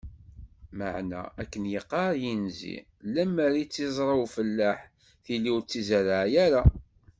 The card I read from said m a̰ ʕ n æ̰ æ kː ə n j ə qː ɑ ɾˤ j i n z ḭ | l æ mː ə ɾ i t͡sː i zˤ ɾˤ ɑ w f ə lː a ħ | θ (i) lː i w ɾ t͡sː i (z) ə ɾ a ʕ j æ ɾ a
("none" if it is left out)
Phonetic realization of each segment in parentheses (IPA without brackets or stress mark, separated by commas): i, z